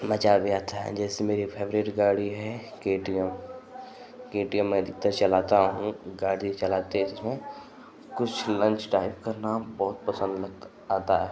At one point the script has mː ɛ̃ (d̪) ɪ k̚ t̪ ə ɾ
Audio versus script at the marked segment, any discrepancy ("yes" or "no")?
no